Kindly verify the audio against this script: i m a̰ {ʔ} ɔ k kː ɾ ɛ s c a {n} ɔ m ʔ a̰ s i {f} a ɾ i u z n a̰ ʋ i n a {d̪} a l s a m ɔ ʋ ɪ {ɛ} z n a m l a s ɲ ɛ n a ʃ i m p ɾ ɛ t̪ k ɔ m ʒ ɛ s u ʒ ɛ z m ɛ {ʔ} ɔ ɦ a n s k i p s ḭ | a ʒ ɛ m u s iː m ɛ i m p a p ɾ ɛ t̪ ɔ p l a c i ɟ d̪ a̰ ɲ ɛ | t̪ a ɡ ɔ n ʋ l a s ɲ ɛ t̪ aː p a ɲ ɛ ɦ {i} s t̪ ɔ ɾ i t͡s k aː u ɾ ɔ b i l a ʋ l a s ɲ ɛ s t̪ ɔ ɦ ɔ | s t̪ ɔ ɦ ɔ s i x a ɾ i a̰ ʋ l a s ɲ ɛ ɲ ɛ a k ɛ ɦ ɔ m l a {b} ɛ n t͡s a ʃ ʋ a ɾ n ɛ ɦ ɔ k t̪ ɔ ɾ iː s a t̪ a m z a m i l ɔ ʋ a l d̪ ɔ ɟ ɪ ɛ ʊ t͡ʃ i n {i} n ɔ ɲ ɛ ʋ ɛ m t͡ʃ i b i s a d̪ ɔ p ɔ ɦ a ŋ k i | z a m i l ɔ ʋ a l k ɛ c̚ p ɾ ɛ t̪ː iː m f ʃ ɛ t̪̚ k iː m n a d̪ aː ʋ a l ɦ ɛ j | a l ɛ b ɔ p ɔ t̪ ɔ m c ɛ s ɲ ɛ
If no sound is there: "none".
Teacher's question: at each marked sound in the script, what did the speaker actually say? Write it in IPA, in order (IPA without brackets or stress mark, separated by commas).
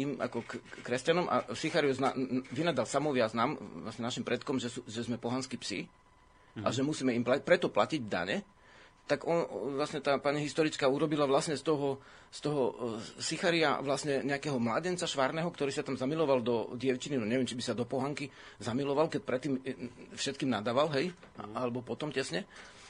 k, n, x, d̪, a, p, i, ɟ, i